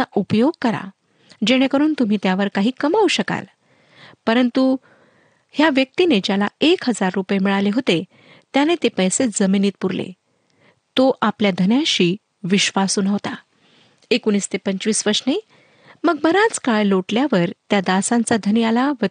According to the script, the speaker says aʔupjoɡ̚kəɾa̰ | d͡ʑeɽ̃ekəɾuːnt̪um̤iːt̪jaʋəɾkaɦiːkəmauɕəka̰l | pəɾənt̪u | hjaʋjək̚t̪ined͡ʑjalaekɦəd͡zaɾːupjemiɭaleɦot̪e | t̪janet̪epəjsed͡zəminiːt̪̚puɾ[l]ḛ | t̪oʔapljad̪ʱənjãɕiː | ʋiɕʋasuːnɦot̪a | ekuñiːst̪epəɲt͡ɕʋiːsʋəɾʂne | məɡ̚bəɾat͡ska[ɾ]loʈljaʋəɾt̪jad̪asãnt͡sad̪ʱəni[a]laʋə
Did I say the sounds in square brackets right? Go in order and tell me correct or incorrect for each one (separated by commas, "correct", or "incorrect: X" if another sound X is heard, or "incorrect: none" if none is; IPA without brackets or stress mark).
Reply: correct, incorrect: ɭ, correct